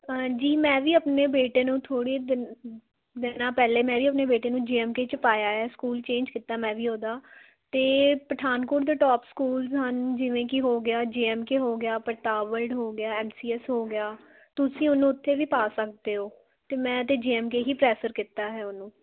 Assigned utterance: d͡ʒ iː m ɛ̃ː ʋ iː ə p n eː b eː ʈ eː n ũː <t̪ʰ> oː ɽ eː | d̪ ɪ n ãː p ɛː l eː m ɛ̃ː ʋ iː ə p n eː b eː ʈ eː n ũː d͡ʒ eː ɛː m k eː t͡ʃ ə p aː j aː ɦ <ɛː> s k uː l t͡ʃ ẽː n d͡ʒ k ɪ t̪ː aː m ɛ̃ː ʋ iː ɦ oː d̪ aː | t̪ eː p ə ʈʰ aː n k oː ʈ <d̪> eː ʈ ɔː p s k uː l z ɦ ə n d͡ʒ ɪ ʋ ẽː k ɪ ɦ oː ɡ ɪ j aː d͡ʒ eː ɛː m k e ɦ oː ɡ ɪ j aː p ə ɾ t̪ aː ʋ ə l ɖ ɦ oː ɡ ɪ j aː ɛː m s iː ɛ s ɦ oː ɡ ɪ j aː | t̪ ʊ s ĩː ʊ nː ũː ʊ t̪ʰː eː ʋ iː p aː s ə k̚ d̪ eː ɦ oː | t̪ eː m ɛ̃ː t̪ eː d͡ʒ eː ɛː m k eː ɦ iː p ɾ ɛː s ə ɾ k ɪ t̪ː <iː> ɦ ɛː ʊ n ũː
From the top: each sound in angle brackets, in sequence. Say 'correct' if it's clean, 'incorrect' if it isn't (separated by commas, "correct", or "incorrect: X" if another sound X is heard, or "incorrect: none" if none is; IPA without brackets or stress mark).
correct, correct, correct, incorrect: aː